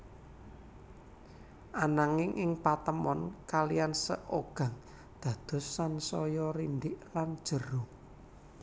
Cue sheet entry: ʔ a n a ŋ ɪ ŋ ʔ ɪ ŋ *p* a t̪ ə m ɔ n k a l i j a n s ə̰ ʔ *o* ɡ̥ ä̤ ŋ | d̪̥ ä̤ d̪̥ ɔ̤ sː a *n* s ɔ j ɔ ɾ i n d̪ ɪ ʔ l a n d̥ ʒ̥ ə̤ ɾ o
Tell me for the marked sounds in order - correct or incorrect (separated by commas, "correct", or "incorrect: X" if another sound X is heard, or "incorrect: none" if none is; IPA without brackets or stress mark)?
correct, correct, correct